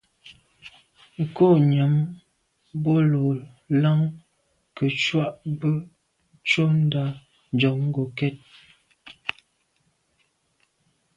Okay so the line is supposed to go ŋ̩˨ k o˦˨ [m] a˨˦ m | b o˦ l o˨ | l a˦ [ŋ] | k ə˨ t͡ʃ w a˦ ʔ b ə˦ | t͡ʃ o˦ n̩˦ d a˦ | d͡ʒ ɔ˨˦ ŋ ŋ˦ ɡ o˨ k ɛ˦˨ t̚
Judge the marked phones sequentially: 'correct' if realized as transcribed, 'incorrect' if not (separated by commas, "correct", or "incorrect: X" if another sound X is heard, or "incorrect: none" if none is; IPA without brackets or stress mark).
incorrect: ɲ, correct